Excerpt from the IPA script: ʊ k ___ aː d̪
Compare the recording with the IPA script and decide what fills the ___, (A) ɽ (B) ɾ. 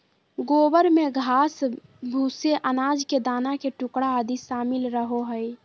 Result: A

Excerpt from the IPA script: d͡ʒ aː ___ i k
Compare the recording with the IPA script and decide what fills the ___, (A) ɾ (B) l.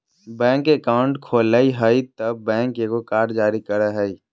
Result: A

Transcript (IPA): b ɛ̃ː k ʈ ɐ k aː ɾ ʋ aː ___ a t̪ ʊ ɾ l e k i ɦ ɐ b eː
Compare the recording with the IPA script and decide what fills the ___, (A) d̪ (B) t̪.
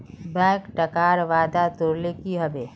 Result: A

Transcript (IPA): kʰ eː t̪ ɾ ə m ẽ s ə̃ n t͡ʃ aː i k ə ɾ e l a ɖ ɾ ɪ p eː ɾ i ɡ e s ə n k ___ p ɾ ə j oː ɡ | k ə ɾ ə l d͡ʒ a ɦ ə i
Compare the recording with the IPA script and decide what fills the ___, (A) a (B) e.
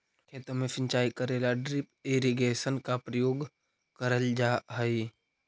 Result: A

